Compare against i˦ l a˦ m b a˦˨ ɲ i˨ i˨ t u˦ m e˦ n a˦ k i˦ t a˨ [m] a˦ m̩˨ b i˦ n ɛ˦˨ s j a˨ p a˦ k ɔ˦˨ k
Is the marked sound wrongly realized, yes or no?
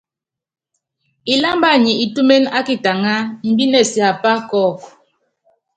yes